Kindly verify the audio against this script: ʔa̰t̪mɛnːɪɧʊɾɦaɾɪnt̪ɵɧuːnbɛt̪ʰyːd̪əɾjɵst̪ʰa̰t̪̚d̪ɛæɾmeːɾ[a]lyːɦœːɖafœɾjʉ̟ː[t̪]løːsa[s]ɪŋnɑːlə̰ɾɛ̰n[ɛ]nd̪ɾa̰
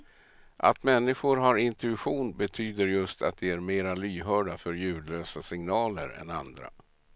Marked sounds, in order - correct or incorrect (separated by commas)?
correct, incorrect, correct, incorrect